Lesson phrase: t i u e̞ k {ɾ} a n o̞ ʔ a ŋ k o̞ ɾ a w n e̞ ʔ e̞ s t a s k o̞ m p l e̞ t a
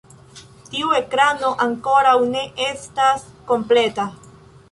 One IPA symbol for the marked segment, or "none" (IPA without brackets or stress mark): ɾ